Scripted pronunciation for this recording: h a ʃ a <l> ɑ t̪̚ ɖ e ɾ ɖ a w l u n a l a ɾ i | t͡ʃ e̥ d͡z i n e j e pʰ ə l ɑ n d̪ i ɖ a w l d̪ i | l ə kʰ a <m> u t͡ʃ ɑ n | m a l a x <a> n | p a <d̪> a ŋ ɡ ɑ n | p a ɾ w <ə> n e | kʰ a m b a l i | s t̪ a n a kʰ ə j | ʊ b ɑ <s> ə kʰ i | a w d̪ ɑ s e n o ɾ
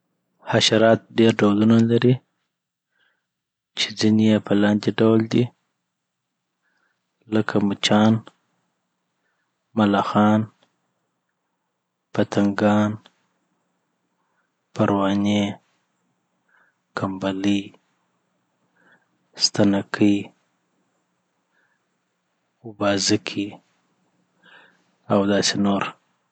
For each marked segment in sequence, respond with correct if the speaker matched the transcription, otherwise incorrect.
incorrect: ɾ, correct, incorrect: ɑ, incorrect: t̪, incorrect: ɑ, incorrect: z

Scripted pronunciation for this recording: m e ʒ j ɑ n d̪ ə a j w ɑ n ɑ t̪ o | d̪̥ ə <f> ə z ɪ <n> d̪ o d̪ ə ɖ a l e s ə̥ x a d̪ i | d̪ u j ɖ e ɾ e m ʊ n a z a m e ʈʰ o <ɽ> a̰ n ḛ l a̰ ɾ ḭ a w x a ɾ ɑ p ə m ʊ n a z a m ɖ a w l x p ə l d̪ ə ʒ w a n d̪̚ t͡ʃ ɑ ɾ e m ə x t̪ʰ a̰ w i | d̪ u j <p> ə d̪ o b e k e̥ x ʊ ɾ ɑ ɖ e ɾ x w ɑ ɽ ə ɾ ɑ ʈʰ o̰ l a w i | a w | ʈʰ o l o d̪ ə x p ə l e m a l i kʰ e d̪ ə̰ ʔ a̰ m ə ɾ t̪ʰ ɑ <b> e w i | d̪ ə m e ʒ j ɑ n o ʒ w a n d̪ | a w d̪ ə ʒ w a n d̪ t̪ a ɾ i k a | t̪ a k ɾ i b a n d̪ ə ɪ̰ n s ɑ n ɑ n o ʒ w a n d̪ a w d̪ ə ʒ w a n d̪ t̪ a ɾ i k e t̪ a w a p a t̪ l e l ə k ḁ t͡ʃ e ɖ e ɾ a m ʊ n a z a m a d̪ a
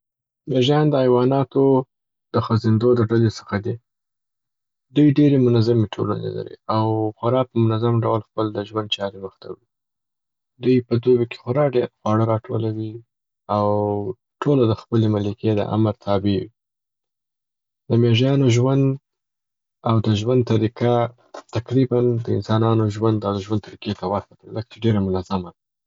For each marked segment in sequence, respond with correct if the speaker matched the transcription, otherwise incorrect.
incorrect: x, correct, incorrect: l, correct, correct

